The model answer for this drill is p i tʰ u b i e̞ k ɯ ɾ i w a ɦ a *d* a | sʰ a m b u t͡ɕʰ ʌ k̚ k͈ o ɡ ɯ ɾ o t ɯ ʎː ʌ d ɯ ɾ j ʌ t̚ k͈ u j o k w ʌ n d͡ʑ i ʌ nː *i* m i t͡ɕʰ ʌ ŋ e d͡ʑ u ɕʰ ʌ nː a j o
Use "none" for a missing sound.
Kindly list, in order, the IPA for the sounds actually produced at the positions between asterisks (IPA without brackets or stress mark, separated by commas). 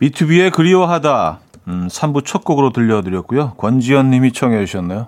d, i